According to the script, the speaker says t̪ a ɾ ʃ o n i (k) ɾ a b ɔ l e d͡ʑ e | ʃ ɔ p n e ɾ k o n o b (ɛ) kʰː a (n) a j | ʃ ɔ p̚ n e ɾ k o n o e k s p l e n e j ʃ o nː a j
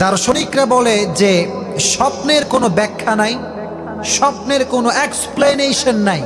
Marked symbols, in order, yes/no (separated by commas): yes, yes, yes